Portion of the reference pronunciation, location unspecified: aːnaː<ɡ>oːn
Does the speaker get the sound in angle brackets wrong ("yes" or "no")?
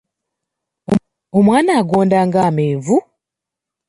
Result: no